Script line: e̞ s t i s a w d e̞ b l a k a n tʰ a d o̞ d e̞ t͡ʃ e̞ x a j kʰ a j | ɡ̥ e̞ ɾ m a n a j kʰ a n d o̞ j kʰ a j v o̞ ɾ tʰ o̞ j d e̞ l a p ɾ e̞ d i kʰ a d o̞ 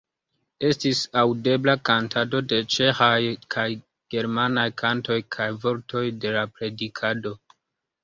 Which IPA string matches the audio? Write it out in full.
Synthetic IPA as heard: e̞ s t i s a w d e̞ b l a k a n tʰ a d o̞ d e̞ t͡ʃ e̞ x a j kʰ a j | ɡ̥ e̞ ɾ m a n a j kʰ a n t o̞ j kʰ a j v o̞ ɾ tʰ o̞ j d e̞ l a p ɾ e̞ d i kʰ a d o̞